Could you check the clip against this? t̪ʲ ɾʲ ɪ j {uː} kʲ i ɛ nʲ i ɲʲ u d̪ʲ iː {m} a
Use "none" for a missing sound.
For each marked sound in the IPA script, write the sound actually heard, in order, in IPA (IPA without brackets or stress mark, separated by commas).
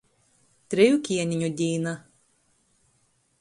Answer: u, n